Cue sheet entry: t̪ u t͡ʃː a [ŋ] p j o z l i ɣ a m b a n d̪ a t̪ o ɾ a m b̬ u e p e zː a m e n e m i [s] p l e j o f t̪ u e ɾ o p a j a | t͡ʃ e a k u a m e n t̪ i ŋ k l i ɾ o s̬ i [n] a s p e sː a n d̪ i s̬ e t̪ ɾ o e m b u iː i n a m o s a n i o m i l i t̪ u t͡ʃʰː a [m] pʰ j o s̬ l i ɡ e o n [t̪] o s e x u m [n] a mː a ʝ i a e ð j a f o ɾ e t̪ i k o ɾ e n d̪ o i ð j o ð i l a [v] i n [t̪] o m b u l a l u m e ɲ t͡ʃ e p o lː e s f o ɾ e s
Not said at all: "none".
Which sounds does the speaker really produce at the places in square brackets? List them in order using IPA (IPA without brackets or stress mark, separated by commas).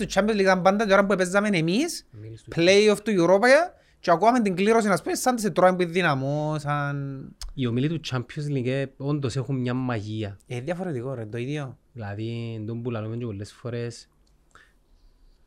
m, s, n, m, d̪, ɲ, ð, d̪